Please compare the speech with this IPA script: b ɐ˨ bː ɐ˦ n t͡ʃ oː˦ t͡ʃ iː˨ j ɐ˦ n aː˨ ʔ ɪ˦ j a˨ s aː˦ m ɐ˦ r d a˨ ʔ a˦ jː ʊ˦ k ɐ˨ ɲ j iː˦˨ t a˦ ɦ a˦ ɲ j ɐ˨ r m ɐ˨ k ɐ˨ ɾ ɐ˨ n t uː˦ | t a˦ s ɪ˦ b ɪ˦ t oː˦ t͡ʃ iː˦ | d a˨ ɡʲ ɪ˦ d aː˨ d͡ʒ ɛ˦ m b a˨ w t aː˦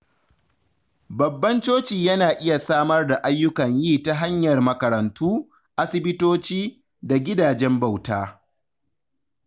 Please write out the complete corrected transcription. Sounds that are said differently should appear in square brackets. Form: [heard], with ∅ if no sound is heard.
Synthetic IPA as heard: b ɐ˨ bː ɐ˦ n t͡ʃ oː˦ t͡ʃ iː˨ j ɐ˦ n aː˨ ʔ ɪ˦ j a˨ s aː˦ m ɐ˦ r d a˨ ʔ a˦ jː ʊ˦ k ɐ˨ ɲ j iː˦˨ t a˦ ɦ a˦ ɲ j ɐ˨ r m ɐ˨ k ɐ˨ ɾ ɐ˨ n t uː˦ | [ʔ] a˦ s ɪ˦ b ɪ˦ t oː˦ t͡ʃ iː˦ | d a˨ ɡʲ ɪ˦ d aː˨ d͡ʒ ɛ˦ m b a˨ w t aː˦